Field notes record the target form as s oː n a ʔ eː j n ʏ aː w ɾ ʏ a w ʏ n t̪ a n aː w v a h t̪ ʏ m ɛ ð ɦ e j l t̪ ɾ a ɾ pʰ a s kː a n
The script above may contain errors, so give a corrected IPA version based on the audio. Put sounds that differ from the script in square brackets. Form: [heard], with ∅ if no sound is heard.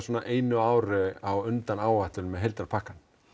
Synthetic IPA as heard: s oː n a ʔ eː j n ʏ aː w ɾ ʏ a w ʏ n t̪ a n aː w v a h t̪ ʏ m ɛ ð ɦ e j l t̪ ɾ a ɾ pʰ a [h] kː a n